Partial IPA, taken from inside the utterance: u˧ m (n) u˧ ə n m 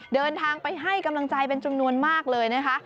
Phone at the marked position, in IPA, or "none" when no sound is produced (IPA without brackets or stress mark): n